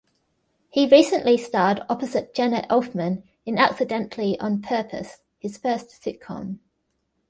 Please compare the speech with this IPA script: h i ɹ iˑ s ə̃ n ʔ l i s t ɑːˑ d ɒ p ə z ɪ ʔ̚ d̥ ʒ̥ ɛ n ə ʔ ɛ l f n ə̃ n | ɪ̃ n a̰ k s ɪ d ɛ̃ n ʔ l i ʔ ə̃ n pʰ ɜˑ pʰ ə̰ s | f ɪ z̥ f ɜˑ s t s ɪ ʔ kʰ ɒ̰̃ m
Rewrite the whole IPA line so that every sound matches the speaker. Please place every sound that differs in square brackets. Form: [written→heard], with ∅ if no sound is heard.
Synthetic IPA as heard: h i ɹ iˑ s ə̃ n ʔ l i s t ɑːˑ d ɒ p ə z ɪ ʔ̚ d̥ ʒ̥ ɛ n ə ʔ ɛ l f [n→m] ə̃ n | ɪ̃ n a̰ k s ɪ d ɛ̃ n ʔ l i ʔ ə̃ n pʰ ɜˑ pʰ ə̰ s | [f→h] ɪ z̥ f ɜˑ s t s ɪ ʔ kʰ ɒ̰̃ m